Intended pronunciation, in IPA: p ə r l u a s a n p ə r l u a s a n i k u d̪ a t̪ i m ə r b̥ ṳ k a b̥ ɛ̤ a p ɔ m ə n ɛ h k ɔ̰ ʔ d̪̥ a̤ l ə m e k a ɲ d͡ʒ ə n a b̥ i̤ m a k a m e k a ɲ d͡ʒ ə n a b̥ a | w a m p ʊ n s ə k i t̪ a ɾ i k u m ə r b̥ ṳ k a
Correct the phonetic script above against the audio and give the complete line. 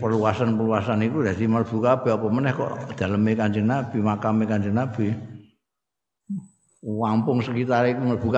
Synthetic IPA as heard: p ə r l u a s a n p ə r l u a s a n i k u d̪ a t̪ i m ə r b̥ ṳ k a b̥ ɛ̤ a p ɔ m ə n ɛ h k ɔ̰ ʔ d̪̥ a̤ l ə m e k a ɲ d͡ʒ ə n a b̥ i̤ m a k a m e k a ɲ d͡ʒ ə n a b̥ i | w a m p ʊ ŋ s ə k i t̪ a ɾ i k u m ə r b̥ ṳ k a